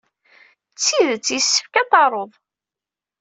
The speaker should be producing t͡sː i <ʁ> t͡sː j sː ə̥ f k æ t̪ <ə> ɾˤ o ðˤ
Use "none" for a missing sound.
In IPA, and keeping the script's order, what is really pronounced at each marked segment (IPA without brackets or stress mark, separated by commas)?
ð, ɑ